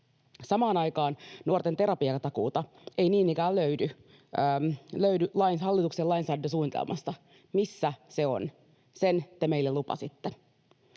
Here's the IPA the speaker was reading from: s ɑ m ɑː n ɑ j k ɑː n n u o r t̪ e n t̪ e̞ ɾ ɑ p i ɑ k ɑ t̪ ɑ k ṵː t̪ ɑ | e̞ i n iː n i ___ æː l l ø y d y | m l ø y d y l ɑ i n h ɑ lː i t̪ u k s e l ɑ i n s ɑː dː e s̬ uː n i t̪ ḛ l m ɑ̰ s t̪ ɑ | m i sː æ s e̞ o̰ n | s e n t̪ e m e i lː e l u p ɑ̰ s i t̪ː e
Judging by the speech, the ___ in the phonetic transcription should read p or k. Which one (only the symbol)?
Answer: k